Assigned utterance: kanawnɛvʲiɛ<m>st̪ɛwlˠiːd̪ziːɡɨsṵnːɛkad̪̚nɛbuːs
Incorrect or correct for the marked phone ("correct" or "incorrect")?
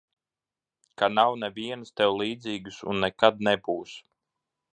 incorrect